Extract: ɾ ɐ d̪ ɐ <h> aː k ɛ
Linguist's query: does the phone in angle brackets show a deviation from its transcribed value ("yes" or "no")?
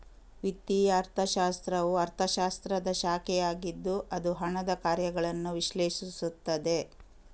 yes